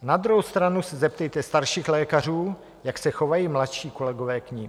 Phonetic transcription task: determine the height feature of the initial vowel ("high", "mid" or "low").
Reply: low